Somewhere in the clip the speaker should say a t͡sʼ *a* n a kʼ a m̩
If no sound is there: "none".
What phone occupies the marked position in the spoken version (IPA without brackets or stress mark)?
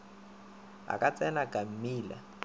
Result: ɛ